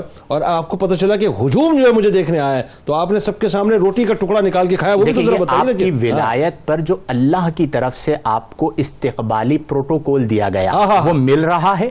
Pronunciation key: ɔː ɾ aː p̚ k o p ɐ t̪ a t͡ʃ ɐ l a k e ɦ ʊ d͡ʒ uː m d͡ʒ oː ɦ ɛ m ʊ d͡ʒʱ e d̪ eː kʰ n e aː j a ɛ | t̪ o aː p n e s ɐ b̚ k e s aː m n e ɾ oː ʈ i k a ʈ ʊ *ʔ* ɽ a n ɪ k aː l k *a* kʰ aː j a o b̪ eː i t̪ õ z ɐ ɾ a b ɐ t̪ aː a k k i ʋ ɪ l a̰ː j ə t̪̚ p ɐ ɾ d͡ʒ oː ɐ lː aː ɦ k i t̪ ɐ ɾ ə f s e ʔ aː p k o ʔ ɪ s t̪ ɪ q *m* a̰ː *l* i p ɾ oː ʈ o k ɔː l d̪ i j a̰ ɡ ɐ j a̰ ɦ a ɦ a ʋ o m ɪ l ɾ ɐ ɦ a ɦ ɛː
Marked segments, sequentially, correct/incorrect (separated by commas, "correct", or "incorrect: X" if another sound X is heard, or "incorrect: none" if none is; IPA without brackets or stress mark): incorrect: k, incorrect: e, incorrect: b, correct